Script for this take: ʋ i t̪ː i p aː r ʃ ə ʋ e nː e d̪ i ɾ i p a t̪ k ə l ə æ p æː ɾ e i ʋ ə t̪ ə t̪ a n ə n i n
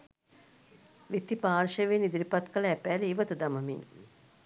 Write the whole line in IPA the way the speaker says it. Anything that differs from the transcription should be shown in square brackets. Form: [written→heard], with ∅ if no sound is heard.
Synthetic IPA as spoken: ʋ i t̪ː i p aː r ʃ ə ʋ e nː [e→i] d̪ i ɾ i p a t̪ k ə l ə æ p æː [ɾ→l] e i ʋ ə t̪ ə [t̪→d̪] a [n→m] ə [n→m] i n